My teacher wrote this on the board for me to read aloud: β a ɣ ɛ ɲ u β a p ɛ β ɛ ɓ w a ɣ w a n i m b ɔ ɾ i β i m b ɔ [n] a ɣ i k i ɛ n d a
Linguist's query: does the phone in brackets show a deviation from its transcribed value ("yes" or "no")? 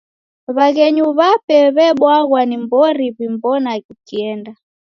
no